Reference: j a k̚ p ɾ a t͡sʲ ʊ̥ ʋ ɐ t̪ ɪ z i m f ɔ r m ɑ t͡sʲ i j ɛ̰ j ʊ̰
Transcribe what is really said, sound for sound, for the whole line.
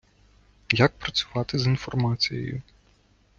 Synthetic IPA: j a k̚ p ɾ ɐ t͡sʲ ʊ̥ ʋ ɑ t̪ ɪ z i n f ɔ r m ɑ t͡sʲ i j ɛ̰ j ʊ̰